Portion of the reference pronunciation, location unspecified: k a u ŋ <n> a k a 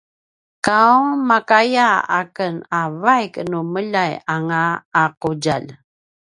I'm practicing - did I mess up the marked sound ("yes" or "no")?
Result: yes